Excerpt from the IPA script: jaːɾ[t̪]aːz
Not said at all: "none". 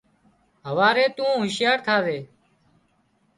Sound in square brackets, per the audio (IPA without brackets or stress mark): t̪ʰ